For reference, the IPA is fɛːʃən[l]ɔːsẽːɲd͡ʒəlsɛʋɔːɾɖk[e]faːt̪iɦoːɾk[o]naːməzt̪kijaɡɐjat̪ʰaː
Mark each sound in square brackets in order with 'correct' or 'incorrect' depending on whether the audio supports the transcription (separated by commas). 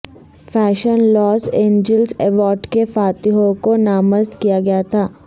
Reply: correct, correct, correct